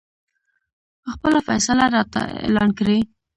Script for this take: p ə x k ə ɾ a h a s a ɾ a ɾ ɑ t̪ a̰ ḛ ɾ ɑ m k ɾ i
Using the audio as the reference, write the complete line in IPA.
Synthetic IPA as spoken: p ə x p ə l a f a s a l a ɾ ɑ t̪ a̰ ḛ l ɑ n k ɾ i